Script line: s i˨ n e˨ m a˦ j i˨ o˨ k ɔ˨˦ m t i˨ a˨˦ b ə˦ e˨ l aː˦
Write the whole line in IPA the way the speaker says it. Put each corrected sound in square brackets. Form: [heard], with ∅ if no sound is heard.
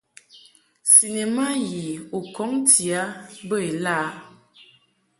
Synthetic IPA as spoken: s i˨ n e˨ m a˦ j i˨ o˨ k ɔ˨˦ [ŋ] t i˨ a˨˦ b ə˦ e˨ l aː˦